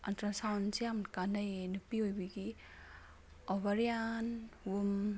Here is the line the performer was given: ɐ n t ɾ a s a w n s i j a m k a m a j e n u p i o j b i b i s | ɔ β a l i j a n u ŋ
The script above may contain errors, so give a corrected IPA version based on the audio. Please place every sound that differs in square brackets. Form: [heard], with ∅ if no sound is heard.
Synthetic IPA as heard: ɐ n t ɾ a s a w n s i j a m k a [n] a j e n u p i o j b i [ɡ] i [∅] | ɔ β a [ɾ] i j a n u [m]